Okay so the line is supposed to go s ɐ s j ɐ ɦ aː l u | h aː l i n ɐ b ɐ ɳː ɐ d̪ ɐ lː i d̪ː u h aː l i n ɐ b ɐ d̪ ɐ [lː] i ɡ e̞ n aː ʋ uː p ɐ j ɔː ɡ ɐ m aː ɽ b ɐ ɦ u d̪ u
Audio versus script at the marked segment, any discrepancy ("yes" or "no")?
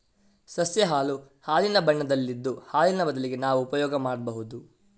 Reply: yes